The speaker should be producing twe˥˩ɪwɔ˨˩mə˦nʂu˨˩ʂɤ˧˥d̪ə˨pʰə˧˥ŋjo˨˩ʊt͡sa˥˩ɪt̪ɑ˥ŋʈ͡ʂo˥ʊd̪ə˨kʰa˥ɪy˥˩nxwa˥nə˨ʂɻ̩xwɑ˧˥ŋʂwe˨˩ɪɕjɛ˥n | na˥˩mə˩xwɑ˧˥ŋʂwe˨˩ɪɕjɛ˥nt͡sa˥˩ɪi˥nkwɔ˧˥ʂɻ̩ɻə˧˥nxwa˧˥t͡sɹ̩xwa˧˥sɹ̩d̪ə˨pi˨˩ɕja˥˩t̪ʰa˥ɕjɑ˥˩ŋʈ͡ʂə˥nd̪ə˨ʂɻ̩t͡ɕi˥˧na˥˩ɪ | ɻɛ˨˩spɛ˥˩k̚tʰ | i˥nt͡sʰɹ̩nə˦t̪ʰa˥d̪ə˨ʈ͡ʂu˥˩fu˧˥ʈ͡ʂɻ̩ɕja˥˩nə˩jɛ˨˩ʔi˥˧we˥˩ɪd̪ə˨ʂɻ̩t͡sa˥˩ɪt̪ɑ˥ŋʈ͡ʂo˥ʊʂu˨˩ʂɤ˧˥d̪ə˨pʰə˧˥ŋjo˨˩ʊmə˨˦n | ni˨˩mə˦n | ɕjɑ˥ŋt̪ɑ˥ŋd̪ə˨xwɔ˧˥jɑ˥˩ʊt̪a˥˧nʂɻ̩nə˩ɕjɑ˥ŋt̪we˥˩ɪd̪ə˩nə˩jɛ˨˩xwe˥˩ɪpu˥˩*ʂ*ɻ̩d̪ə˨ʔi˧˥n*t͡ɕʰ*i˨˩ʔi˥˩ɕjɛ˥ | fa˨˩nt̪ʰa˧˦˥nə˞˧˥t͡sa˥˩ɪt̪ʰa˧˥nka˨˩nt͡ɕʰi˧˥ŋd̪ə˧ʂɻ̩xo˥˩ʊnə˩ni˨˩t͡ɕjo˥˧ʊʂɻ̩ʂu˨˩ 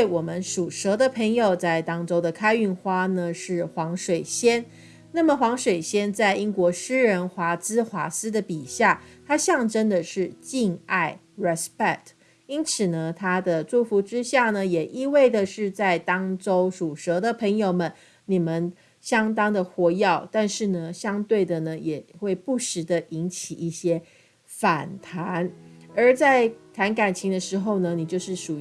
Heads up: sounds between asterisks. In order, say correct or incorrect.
correct, correct

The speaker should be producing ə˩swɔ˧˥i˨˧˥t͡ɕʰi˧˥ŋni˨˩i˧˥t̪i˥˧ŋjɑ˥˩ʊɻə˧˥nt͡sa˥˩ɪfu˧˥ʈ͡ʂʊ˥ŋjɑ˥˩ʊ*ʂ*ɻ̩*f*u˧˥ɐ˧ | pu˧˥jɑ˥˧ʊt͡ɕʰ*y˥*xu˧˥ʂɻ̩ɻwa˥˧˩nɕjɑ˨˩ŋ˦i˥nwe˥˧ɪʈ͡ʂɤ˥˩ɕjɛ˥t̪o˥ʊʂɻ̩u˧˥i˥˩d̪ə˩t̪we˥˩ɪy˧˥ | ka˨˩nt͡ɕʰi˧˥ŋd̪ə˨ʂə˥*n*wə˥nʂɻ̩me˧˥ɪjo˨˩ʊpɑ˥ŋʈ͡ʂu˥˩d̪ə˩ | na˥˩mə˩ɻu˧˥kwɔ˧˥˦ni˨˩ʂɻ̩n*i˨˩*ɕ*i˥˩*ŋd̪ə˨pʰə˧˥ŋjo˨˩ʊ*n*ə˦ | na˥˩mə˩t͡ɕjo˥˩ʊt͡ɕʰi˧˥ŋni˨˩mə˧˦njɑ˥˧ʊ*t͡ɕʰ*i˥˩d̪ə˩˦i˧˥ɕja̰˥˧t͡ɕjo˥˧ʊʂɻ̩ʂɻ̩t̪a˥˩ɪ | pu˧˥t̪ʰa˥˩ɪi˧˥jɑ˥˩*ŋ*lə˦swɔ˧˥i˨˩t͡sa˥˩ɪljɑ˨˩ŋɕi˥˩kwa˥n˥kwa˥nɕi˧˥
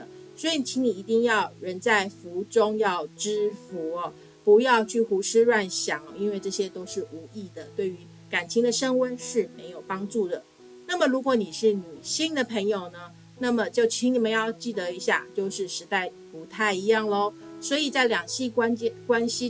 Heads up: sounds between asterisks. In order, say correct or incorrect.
incorrect: ʈ͡ʂ, correct, incorrect: y˥˩, incorrect: ŋ, incorrect: y˨˩, incorrect: i˥, correct, incorrect: t͡ɕ, correct

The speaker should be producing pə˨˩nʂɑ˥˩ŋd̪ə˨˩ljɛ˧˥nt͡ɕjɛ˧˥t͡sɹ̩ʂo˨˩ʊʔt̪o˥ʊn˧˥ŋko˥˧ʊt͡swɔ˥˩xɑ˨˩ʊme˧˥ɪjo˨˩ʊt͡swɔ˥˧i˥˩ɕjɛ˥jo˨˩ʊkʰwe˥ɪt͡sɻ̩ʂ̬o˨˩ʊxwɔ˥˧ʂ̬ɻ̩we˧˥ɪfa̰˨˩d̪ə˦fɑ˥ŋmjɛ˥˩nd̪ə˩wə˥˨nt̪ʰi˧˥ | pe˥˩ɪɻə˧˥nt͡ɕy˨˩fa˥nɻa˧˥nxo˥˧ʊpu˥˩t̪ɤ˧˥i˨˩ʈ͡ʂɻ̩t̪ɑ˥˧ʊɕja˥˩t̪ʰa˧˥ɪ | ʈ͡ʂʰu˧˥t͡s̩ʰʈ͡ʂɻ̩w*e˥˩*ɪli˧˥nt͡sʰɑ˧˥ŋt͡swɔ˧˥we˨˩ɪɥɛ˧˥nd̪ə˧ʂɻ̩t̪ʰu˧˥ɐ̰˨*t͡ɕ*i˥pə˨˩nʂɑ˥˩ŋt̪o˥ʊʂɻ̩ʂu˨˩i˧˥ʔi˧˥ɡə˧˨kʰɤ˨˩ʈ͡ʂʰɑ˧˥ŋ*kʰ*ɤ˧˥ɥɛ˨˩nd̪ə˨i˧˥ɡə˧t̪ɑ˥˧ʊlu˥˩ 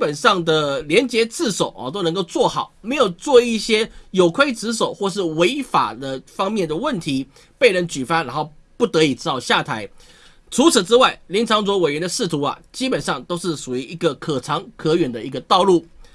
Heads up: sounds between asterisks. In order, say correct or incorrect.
incorrect: a˥˩, correct, correct

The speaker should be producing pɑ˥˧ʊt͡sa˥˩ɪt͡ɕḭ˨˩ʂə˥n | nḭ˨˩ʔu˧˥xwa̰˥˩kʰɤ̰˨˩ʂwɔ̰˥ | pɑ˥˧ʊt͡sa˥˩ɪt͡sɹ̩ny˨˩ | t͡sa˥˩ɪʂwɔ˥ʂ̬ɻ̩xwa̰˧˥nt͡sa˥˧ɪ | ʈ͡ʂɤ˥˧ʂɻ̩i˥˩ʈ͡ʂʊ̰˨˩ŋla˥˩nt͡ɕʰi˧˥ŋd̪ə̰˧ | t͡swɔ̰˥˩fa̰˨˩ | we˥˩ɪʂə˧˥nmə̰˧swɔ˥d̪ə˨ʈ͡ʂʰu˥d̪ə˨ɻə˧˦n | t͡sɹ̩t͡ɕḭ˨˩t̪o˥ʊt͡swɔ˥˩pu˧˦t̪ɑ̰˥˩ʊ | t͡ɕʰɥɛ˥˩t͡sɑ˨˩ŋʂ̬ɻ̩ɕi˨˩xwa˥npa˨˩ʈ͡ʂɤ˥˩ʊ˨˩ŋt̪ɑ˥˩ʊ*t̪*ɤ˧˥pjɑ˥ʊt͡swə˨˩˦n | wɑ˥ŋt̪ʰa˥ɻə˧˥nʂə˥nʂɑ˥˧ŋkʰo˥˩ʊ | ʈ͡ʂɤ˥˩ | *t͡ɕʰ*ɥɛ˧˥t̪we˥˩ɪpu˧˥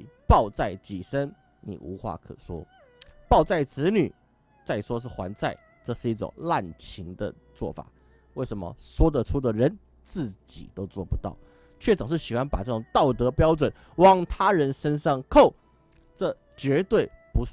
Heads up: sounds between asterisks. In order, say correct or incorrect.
correct, incorrect: t͡ɕ

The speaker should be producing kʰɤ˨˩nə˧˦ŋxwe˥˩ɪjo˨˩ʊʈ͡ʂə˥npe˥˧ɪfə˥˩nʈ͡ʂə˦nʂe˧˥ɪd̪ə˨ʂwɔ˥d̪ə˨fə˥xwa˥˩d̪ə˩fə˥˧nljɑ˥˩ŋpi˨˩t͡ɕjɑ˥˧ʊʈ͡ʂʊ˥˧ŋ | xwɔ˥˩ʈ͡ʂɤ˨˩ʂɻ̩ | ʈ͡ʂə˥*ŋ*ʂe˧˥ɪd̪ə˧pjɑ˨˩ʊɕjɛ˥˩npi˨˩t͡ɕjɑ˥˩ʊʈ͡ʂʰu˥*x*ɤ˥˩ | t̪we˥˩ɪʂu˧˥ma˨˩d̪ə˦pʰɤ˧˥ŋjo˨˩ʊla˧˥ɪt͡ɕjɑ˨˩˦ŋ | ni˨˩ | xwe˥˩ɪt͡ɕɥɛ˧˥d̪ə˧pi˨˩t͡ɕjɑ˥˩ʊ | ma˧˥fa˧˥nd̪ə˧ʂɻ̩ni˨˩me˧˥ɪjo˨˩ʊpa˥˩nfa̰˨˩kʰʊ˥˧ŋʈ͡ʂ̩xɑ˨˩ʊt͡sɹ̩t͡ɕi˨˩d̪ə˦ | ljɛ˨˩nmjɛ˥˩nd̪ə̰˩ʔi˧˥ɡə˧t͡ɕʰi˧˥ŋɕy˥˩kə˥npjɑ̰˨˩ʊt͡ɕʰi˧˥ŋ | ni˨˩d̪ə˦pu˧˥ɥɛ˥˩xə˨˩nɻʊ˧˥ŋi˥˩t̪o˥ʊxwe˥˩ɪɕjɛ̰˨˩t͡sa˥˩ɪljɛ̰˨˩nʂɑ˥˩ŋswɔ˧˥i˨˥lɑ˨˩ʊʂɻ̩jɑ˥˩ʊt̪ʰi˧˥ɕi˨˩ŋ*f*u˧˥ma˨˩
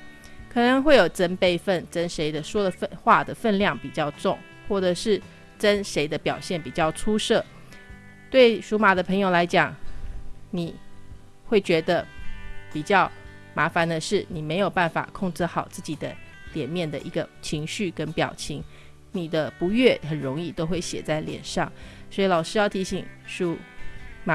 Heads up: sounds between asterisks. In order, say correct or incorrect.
incorrect: n, incorrect: ʂ, incorrect: ʂ

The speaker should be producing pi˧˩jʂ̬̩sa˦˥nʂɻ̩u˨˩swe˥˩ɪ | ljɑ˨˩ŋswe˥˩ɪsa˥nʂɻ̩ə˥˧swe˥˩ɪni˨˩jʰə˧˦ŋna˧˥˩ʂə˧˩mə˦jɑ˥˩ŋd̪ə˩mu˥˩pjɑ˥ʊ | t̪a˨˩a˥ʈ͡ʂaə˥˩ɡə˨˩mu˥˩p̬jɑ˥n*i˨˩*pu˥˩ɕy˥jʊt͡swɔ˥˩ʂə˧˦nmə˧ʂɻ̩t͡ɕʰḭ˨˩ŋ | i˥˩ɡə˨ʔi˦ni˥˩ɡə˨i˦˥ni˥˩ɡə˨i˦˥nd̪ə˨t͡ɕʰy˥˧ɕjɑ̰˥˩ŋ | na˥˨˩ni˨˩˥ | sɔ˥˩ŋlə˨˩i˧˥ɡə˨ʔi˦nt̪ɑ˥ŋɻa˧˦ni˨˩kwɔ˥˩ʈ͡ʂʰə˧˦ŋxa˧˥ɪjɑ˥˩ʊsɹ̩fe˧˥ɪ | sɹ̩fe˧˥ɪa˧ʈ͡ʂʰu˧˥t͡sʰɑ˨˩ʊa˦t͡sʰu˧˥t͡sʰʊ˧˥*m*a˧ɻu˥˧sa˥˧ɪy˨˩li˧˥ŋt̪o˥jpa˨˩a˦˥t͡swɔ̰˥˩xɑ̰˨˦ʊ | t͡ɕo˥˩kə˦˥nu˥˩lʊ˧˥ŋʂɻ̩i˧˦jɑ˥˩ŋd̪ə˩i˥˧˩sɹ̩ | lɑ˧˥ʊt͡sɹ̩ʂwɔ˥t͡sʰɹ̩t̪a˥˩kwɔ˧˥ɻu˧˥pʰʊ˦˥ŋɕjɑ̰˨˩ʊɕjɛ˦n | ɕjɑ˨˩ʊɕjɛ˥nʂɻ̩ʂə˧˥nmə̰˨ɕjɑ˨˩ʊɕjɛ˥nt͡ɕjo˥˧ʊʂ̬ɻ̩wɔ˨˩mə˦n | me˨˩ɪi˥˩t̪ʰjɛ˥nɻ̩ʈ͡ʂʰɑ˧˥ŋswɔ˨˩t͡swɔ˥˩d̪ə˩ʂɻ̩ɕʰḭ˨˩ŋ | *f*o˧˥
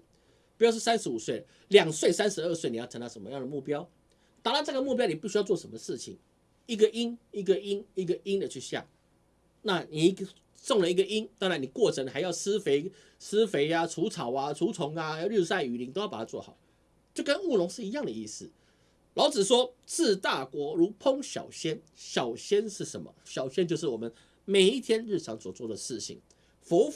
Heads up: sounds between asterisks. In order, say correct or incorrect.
correct, incorrect: ŋ, correct

